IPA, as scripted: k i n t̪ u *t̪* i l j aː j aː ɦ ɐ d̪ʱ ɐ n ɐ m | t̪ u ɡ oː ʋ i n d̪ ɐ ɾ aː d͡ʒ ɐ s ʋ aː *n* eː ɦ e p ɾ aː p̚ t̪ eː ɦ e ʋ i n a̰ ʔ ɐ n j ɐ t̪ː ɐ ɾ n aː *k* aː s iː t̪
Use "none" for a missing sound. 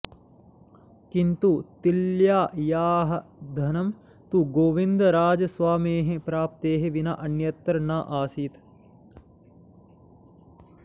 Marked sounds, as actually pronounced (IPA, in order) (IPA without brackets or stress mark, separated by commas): t̪, m, ʔ